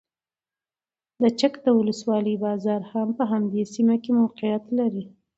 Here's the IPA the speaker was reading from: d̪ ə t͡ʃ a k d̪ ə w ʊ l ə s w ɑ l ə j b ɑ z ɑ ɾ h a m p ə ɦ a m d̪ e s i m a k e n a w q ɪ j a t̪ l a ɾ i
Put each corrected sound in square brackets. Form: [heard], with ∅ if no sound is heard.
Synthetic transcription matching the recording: d̪ ə t͡ʃ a k d̪ ə w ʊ l ə s w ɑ l ə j b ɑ z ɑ ɾ h a m p ə ɦ a m d̪ e s i m a k e [m] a w q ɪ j a t̪ l a ɾ i